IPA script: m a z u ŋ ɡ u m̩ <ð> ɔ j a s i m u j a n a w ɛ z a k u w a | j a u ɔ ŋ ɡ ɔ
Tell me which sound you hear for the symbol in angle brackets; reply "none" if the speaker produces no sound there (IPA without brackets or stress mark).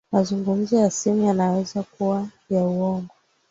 z